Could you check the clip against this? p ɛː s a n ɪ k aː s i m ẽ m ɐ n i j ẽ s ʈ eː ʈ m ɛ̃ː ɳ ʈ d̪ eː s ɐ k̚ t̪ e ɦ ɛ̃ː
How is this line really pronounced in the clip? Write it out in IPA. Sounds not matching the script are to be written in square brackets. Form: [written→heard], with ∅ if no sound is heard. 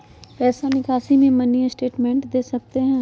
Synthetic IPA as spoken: p ɛː s a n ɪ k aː s i m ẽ m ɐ n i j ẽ s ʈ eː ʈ m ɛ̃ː ɳ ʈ d̪ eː s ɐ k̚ t̪ e ɦ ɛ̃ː